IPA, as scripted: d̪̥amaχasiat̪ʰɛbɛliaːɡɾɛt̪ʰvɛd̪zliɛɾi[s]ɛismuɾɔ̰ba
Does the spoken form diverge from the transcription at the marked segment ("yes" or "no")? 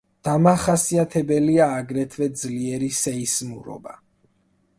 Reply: no